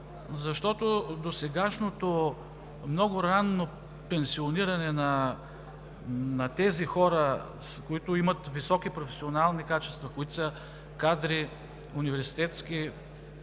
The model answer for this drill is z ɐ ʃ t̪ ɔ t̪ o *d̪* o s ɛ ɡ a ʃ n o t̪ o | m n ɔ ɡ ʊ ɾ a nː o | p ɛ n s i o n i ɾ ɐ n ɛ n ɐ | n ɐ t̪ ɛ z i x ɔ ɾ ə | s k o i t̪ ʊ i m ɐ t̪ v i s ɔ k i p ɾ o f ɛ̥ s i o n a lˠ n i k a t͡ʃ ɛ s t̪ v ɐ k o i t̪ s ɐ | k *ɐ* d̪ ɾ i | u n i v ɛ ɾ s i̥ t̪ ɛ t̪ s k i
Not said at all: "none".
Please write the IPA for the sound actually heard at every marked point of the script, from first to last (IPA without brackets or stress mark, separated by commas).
d̪, a